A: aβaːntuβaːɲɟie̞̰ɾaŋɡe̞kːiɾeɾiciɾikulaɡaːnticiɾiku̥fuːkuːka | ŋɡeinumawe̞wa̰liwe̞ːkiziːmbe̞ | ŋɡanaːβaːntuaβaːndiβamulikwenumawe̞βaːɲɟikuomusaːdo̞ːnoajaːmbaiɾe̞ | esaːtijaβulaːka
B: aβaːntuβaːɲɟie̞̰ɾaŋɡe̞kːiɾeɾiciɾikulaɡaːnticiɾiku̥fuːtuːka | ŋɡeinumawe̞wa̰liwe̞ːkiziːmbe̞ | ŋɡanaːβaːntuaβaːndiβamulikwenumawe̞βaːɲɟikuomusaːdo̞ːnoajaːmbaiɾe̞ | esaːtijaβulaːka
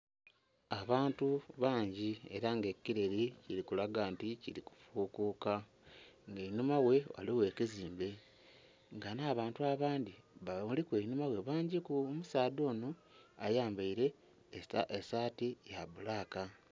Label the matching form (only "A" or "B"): A